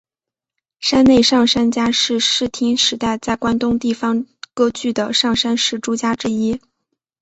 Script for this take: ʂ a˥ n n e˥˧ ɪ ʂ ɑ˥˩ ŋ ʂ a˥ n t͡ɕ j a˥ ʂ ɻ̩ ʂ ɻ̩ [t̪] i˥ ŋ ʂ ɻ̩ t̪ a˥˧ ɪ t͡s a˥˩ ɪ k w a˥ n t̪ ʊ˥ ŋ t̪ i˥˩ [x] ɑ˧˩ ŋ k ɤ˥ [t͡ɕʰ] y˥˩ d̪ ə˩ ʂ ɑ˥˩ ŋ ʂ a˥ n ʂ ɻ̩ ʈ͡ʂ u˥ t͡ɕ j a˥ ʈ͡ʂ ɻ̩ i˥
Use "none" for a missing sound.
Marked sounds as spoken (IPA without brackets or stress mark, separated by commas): t̪ʰ, f, t͡ɕ